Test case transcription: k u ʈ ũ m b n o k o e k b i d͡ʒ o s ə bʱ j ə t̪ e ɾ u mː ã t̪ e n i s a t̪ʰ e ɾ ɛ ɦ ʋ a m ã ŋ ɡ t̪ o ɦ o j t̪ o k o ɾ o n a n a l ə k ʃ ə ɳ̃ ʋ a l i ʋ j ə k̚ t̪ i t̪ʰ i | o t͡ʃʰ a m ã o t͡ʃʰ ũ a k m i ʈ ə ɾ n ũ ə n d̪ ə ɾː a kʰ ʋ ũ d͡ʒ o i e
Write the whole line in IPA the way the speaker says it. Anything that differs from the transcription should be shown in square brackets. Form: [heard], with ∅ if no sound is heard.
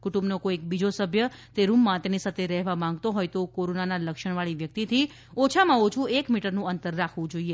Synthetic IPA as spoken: k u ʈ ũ m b n o k o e k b i d͡ʒ o s ə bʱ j ə t̪ e ɾ u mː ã t̪ e n i s a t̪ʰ e ɾ ɛ ɦ ʋ a m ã ŋ ɡ t̪ o ɦ o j t̪ o k o ɾ o n a n a l ə k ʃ ə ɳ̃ ʋ a [ɭ] i ʋ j ə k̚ t̪ i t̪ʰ i | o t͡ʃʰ a m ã o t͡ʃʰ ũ [e] k m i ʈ ə ɾ n ũ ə n [t̪] ə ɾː a kʰ ʋ ũ d͡ʒ o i e